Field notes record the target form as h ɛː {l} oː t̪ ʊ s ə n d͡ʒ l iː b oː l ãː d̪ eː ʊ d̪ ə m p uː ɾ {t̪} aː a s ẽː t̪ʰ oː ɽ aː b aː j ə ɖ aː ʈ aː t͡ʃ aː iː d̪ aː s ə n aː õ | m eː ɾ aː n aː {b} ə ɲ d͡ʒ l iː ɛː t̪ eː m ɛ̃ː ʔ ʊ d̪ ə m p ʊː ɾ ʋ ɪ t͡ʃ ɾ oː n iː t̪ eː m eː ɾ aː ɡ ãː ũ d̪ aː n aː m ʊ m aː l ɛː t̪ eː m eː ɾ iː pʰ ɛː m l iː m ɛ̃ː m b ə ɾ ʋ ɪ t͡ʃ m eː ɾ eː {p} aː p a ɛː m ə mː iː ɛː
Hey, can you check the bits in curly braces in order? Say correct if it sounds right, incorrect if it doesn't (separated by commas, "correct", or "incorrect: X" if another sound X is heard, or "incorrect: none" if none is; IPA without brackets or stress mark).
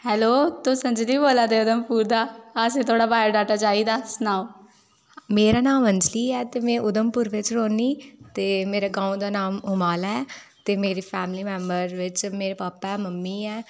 correct, incorrect: d̪, incorrect: m, correct